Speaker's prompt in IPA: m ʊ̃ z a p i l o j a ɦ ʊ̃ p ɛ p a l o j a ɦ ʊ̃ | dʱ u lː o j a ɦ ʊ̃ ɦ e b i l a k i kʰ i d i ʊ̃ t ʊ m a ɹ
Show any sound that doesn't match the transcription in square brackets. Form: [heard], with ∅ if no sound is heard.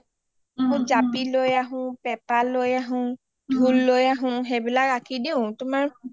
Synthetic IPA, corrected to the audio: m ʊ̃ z a p i l o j a ɦ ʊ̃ p ɛ p a l o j a ɦ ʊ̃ | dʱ u lː o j a ɦ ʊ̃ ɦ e b i l a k [a] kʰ i d i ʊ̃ t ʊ m a ɹ